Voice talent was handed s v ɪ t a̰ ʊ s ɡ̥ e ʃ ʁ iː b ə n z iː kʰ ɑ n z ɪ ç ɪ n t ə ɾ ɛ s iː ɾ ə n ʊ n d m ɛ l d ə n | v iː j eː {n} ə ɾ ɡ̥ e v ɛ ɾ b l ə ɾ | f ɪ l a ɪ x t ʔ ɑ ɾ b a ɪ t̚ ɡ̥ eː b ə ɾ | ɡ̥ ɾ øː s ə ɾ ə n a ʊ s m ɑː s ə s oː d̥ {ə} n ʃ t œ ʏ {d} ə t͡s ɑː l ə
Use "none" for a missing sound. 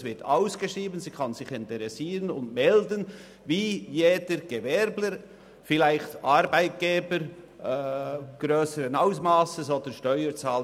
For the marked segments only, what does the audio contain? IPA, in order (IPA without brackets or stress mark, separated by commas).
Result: d, ə, none